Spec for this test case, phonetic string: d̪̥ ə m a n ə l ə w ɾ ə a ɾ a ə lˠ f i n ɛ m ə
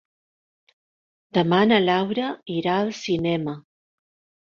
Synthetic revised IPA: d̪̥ ə m a n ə l a w ɾ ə i ɾ a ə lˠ s i n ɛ m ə